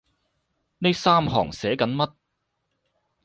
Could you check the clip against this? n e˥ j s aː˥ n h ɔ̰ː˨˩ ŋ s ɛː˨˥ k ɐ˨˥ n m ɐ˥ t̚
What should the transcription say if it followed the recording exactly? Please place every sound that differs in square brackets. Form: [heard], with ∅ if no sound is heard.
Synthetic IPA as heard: n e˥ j s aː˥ [m] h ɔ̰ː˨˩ ŋ s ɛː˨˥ k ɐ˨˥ n m ɐ˥ t̚

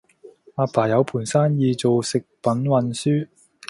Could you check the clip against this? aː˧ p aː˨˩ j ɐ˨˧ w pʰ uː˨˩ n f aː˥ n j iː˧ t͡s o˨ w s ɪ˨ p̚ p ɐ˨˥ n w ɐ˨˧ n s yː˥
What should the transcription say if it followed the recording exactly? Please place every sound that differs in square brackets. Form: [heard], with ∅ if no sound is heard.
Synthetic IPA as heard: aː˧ p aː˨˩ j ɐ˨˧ w pʰ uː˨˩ n [s] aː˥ n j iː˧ t͡s o˨ w s ɪ˨ [k̚] p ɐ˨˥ n w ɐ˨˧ n s yː˥

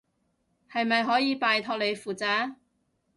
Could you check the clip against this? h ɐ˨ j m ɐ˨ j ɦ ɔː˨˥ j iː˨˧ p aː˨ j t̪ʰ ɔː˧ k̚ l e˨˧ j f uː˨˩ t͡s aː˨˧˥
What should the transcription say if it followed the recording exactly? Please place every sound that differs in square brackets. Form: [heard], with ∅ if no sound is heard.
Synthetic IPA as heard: h ɐ˨ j m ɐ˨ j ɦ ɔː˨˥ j iː˨˧ p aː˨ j t̪ʰ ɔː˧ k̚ l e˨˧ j f uː˨˩ t͡s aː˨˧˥

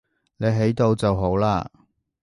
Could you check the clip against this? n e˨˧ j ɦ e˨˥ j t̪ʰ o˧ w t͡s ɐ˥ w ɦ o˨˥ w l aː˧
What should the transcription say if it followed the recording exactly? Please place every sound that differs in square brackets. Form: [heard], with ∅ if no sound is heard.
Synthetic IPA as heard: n e˨˧ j ɦ e˨˥ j [t̪] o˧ w t͡s [ɐ˨] w ɦ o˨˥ w l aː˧

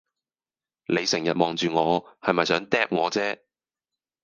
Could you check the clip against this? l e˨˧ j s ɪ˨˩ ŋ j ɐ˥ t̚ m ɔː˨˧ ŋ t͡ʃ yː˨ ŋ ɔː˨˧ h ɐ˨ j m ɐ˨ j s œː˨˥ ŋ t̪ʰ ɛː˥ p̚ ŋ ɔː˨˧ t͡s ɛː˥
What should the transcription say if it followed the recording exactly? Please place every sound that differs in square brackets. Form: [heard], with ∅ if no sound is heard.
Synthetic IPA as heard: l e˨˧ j s ɪ˨˩ ŋ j [ɐ˨] t̚ m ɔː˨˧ ŋ t͡ʃ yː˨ ŋ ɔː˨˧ h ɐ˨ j m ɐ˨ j s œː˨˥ ŋ [t̪] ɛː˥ p̚ ŋ ɔː˨˧ t͡s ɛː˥

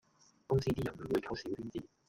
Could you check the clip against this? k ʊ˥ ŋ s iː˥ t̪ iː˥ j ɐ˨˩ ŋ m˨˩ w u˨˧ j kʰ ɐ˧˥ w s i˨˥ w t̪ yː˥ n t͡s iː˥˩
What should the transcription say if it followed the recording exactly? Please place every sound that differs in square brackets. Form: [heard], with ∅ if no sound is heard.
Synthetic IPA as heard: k ʊ˥ ŋ s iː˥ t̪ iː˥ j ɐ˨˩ [n] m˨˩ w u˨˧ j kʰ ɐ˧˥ w s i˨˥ w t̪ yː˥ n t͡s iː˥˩

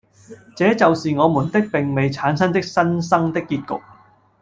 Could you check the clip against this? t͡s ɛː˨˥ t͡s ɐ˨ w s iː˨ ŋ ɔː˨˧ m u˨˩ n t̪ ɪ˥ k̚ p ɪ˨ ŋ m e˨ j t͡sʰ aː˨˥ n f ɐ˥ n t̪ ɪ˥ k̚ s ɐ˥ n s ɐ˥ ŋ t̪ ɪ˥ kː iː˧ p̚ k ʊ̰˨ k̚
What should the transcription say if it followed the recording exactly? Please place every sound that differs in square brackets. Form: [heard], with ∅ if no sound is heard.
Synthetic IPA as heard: t͡s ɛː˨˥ t͡s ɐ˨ w s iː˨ ŋ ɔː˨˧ m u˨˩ n t̪ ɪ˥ k̚ p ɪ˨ ŋ m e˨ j t͡sʰ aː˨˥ n [s] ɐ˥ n t̪ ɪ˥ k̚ s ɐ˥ n s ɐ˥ ŋ t̪ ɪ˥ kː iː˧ [t̚] k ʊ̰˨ k̚

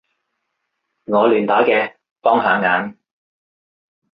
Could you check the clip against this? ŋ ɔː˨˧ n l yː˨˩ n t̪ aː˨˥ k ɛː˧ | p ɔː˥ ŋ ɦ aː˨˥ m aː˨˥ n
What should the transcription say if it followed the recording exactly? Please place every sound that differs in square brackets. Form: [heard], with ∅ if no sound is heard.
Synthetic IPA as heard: ŋ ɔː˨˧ [∅] l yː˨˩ n t̪ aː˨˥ k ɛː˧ | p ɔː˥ ŋ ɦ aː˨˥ [ŋ] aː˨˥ n

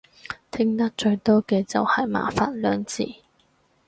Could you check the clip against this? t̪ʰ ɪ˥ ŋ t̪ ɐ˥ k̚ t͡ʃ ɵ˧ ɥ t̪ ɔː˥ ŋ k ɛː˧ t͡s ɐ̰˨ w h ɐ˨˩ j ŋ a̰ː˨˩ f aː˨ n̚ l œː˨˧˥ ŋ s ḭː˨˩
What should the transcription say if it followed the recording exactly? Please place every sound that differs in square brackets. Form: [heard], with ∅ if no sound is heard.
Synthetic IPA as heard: t̪ʰ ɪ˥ ŋ t̪ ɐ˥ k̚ t͡ʃ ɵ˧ ɥ t̪ ɔː˥ [∅] k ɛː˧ t͡s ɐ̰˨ w h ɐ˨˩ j [m] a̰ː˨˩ f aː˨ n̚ l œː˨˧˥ ŋ [t͡s] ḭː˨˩

